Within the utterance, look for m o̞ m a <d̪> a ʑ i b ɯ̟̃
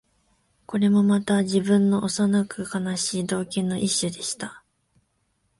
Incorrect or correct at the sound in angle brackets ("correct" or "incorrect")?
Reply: incorrect